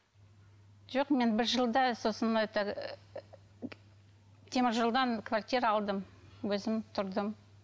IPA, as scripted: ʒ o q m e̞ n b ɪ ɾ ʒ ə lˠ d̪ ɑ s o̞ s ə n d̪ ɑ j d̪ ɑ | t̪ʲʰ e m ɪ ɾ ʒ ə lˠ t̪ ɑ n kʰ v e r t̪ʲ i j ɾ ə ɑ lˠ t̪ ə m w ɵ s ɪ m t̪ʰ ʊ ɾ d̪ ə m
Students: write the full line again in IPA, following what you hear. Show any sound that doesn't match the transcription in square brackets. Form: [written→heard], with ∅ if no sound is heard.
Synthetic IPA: ʒ o q m e̞ n b ɪ ɾ ʒ ə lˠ d̪ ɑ s o̞ s ə n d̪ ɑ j [d̪→t̪] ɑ | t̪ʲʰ e m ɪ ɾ ʒ ə lˠ [t̪→d̪] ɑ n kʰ v [e→a] r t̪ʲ i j ɾ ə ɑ lˠ [t̪→d̪] ə m w ɵ [s→z] ɪ m t̪ʰ ʊ ɾ d̪ ə m

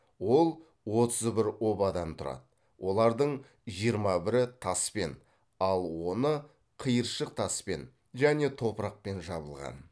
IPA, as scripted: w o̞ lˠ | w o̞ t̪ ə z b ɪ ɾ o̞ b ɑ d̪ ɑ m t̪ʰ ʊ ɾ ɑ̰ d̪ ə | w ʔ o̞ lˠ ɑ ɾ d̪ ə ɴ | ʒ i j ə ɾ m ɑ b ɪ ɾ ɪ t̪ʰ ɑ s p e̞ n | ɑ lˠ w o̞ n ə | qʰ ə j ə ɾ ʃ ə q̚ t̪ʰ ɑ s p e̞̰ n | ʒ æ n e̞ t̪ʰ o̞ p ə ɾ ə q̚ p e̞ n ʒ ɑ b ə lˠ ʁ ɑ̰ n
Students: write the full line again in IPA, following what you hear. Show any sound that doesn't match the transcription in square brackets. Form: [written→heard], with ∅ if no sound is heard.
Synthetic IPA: w o̞ lˠ | w o̞ t̪ ə z b ɪ ɾ o̞ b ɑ d̪ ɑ m t̪ʰ ʊ ɾ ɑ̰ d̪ ə | w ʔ o̞ lˠ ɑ ɾ d̪ ə ɴ | ʒ i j ə ɾ m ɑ b ɪ ɾ ɪ t̪ʰ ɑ s p e̞ n | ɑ lˠ w o̞ n ə | qʰ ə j ə ɾ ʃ ə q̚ t̪ʰ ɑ s p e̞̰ n | ʒ æ n e̞ t̪ʰ o̞ p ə ɾ [ə→ɑ] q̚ p e̞ n ʒ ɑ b ə lˠ ʁ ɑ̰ n

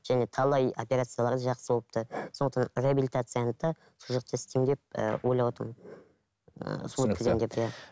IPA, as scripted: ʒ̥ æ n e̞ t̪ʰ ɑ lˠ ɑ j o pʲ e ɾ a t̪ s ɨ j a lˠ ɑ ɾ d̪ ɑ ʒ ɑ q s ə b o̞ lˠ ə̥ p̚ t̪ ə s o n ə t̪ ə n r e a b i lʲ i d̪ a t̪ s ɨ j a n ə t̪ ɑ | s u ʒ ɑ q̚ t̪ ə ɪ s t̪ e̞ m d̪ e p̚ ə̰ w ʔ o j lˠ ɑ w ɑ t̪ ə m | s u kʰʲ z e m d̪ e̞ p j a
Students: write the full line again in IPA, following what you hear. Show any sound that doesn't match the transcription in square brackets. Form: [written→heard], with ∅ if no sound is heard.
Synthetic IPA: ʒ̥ æ n e̞ t̪ʰ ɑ lˠ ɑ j o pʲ e ɾ a t̪ s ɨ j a lˠ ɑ ɾ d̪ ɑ ʒ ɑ q s ə b o̞ lˠ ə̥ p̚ t̪ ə s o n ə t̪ [ə→ɑ] n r e a b i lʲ i [d̪→t̪] a t̪ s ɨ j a n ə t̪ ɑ | s u ʒ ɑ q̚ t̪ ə ɪ s t̪ e̞ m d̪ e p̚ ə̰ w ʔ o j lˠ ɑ w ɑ t̪ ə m | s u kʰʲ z e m d̪ e̞ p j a

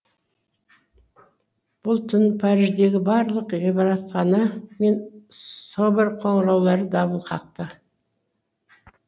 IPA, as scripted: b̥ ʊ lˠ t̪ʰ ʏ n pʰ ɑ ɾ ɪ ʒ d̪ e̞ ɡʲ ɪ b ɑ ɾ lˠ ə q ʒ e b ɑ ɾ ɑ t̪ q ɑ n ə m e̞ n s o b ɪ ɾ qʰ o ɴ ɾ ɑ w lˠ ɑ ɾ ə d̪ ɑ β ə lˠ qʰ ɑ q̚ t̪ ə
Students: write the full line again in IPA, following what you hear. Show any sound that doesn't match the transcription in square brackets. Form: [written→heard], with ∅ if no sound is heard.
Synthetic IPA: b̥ ʊ lˠ t̪ʰ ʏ n pʰ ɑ ɾ ɪ ʒ d̪ e̞ ɡʲ ɪ b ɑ ɾ lˠ ə q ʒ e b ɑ ɾ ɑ t̪ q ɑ n ə m e̞ n s o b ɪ ɾ qʰ o ɴ ɾ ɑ w lˠ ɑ ɾ ə d̪ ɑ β ə lˠ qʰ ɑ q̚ t̪ ə

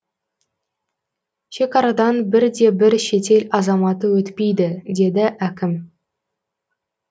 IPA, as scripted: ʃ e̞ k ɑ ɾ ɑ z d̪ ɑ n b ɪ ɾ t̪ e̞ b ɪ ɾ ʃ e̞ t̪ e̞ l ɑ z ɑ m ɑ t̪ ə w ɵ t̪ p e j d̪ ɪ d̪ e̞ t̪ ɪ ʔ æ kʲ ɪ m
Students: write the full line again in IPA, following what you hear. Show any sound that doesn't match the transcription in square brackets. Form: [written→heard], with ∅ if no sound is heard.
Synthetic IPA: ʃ e̞ k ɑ ɾ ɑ [z→∅] d̪ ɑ n b ɪ ɾ [t̪→d̪] e̞ b ɪ ɾ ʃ e̞ t̪ e̞ l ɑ z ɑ m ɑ t̪ ə w ɵ t̪ p e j d̪ ɪ d̪ e̞ [t̪→d̪] ɪ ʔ æ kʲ ɪ m

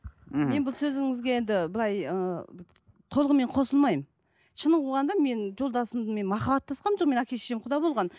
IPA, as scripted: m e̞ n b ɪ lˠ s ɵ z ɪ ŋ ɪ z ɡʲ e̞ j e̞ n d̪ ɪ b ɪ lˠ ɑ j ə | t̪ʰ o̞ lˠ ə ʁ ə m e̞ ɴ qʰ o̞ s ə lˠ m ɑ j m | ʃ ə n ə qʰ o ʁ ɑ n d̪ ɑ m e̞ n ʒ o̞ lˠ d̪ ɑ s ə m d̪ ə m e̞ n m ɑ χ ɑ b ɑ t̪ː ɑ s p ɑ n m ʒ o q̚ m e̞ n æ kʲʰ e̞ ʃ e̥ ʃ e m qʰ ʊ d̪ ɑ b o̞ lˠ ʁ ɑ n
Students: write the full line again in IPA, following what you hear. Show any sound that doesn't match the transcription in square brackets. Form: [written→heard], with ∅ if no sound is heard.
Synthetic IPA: m e̞ n b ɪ lˠ s ɵ z ɪ ŋ ɪ z ɡʲ e̞ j e̞ n d̪ ɪ b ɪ lˠ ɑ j ə | t̪ʰ o̞ lˠ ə ʁ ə m e̞ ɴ qʰ o̞ s ə lˠ m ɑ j m | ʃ ə n ə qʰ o ʁ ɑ n d̪ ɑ m e̞ n ʒ o̞ lˠ d̪ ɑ s ə m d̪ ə m e̞ n m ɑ χ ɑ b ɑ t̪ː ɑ s [p→q] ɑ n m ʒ o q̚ m e̞ n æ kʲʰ e̞ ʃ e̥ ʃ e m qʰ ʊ d̪ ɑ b o̞ lˠ ʁ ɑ n

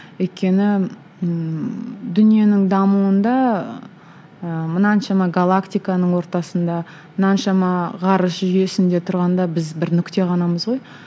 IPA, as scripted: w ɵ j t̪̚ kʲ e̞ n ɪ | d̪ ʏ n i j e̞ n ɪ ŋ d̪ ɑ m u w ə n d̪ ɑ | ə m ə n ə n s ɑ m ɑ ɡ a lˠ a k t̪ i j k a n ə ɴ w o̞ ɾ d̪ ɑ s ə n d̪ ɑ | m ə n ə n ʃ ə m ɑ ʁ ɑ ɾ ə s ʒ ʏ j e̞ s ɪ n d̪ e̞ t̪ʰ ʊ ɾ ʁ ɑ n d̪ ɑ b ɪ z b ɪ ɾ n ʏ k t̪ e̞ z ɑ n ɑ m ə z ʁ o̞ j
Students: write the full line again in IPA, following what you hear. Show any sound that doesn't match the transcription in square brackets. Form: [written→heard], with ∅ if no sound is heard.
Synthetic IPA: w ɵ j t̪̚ kʲ e̞ n ɪ | d̪ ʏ n i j e̞ n ɪ ŋ d̪ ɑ m u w ə n d̪ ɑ | ə m ə n [ə→ɑ] n [s→ʃ] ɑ m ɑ ɡ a lˠ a k t̪ i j k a n ə ɴ w o̞ ɾ [d̪→t̪] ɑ s ə n d̪ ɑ | m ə n [ə→ɑ] n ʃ [ə→ɑ] m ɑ ʁ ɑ ɾ ə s ʒ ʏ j e̞ s ɪ n d̪ e̞ t̪ʰ ʊ ɾ ʁ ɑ n d̪ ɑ b ɪ z b ɪ ɾ n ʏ k t̪ e̞ [z→ʁ] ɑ n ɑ m ə z ʁ o̞ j

